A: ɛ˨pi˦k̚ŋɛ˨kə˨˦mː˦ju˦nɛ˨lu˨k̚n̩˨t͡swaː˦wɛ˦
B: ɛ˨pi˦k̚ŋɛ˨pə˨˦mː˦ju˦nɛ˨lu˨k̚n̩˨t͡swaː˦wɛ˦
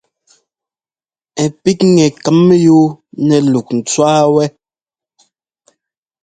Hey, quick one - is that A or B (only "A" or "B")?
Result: A